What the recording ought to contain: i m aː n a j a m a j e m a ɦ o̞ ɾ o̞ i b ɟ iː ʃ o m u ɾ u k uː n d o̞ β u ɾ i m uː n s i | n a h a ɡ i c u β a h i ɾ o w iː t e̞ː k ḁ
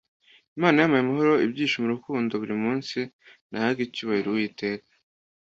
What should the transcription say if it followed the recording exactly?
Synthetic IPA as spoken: i m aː n a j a m a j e m a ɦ o̞ ɾ o̞ i b ɟ iː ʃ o m u ɾ u k uː n d o̞ β u ɾ i m uː n s i | n a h a ɡ i c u β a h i ɾ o w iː t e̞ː k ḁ